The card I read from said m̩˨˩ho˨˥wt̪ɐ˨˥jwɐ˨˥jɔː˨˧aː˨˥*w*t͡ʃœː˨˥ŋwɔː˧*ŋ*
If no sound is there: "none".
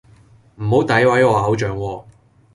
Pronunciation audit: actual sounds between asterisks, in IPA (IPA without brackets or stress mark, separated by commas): w, none